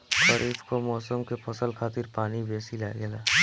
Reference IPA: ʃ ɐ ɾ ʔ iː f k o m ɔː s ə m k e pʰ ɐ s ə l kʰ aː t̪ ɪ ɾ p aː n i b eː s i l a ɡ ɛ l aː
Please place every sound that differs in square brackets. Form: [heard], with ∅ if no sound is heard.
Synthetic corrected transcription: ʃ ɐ ɾ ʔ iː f k o m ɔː s ə m k e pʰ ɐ s ə l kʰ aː t̪ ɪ ɾ p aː n i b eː s i l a ɡ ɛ l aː